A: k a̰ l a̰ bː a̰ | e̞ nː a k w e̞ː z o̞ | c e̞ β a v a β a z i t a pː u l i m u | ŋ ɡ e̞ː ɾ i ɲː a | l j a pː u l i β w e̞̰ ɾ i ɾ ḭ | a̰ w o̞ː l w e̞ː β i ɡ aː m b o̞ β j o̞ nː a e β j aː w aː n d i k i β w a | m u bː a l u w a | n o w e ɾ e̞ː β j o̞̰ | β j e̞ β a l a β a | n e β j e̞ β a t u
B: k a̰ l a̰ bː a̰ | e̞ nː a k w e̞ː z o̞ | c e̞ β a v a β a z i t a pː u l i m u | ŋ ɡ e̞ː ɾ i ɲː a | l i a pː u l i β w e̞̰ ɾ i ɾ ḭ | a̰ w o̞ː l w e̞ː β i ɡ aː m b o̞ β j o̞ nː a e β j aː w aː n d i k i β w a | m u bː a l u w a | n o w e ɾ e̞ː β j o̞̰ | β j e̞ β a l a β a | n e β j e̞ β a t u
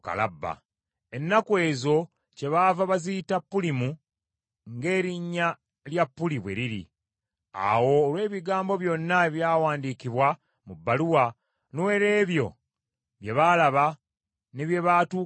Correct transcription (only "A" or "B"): A